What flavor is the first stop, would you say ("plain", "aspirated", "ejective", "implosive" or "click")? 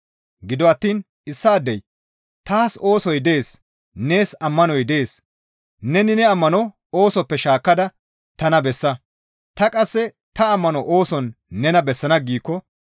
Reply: plain